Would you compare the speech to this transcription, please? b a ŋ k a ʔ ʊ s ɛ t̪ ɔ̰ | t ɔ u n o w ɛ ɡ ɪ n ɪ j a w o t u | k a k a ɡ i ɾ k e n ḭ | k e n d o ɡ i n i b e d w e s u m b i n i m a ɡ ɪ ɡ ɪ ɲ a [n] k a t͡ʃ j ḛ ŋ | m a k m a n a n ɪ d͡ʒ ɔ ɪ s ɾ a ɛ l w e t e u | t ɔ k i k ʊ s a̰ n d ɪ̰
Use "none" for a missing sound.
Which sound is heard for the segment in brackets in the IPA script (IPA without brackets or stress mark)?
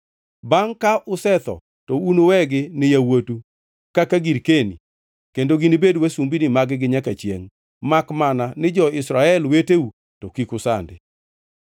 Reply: none